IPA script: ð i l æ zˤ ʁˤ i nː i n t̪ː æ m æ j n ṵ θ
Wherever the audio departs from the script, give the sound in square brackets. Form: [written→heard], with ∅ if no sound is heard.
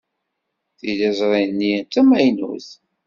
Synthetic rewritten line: [ð→θ] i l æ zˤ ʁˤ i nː i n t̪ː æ m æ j n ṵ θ